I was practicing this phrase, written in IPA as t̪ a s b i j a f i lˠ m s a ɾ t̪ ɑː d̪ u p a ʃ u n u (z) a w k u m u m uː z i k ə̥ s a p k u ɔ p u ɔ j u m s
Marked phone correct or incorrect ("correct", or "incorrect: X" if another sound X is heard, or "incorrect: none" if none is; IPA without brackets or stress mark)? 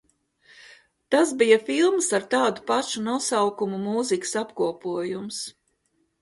incorrect: s